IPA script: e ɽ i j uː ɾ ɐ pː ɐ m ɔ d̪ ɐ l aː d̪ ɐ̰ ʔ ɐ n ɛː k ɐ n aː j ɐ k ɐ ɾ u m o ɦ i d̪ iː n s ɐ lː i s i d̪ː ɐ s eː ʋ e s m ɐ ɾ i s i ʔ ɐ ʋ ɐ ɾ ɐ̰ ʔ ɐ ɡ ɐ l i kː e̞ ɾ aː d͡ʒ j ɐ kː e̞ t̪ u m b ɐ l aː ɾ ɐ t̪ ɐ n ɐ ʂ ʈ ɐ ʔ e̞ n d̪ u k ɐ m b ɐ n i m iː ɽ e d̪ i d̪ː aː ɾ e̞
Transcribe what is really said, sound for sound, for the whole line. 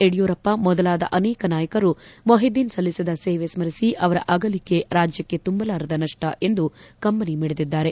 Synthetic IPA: e ɽ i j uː ɾ ɐ pː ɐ m ɔ d̪ ɐ l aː d̪ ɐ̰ ʔ ɐ n ɛː k ɐ n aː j ɐ k ɐ ɾ u m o ɦ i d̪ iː n s ɐ lː i s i d̪ ɐ s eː ʋ e s m ɐ ɾ i s i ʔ ɐ ʋ ɐ ɾ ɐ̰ ʔ ɐ ɡ ɐ l i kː e̞ ɾ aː d͡ʒ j ɐ kː e̞ t̪ u m b ɐ l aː ɾ ɐ d̪ ɐ n ɐ ʂ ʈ ɐ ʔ e̞ n d̪ u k ɐ m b ɐ n i m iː ɽ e d̪ i d̪ː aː ɾ e̞